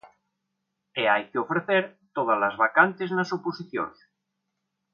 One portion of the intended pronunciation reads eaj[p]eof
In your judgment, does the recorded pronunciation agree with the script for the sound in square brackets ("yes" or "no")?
no